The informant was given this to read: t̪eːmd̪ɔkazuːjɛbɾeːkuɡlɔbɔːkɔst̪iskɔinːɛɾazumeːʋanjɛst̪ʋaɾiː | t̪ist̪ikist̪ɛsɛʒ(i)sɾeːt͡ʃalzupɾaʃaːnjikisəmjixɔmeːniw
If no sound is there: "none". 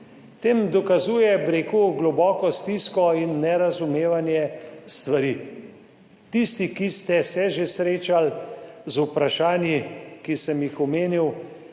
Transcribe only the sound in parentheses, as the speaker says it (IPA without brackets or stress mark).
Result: e